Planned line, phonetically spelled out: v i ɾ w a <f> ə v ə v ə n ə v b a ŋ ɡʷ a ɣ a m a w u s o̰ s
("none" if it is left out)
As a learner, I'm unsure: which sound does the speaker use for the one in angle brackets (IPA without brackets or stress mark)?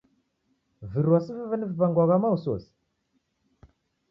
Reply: s